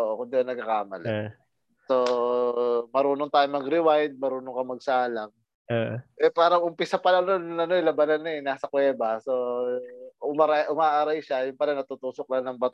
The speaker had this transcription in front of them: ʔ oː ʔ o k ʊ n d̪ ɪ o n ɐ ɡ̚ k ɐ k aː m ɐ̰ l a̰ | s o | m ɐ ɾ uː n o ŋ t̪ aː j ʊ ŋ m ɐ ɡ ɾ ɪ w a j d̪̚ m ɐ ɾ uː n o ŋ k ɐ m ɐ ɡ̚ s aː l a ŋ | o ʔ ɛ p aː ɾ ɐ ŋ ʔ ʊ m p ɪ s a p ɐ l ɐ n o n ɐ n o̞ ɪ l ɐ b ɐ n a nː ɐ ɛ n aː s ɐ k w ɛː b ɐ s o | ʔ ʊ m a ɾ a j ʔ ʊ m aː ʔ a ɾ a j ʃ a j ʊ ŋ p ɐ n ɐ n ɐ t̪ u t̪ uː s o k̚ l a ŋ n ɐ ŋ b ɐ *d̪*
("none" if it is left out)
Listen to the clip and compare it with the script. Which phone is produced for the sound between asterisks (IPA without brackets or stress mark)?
t̪